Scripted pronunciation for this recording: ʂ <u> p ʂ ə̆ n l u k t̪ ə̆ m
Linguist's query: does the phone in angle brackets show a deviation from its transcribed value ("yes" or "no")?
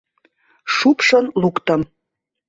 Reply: no